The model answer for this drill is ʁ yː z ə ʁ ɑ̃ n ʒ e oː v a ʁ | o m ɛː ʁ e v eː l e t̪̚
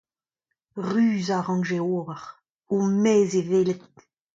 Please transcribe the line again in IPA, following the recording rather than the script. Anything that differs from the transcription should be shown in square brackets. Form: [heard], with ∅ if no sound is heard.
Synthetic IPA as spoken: ʁ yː z [a] ʁ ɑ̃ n ʒ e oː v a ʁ | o m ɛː [z] e v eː l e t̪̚